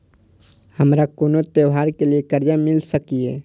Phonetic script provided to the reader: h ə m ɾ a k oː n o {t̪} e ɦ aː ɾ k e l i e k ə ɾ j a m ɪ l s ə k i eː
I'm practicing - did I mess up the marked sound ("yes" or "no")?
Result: no